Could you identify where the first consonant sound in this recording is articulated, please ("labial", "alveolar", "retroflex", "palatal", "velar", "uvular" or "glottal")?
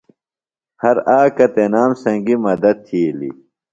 glottal